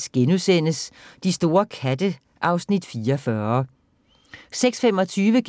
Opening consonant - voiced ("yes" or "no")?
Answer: no